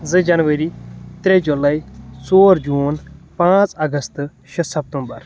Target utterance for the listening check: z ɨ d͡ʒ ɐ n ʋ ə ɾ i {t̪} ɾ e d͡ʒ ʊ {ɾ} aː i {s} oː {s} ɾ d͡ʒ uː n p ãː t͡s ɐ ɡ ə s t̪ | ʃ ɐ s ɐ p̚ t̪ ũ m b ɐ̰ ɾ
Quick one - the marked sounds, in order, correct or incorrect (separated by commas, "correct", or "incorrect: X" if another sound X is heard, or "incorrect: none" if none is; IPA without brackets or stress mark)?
correct, incorrect: l, correct, incorrect: none